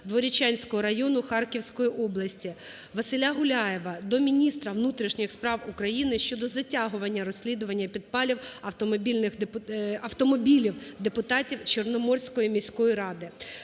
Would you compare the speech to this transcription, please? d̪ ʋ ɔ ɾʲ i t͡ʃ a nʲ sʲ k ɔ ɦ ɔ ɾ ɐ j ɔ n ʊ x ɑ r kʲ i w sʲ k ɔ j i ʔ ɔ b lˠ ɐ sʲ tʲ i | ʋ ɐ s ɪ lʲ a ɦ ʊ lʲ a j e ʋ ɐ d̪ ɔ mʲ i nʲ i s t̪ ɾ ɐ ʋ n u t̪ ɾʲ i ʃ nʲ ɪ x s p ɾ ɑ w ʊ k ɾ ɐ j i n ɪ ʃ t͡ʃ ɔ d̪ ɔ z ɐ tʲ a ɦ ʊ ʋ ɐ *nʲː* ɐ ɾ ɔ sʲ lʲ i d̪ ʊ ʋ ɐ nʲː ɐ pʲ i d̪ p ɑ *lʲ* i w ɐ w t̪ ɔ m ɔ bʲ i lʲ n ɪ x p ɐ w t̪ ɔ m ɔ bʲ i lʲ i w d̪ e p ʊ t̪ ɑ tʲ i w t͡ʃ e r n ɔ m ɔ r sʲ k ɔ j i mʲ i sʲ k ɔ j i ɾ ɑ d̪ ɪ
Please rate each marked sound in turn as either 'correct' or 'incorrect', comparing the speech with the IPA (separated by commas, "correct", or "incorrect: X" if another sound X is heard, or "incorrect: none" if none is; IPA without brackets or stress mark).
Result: correct, correct